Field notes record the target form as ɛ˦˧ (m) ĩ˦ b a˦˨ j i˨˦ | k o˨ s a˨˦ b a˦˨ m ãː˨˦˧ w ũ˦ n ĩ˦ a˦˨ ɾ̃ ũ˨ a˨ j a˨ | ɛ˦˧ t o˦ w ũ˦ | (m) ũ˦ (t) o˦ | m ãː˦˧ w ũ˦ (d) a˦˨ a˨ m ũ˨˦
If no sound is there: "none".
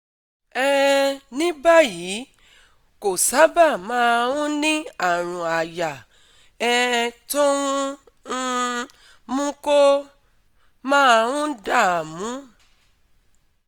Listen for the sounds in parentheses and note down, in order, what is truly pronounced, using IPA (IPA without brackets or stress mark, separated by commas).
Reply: n, m, k, d